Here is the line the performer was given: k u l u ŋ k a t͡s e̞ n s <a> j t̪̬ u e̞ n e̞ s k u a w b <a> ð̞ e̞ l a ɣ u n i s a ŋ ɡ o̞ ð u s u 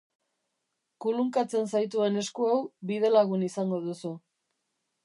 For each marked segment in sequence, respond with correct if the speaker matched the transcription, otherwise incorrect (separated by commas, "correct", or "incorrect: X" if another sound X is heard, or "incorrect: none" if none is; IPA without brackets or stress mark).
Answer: correct, incorrect: i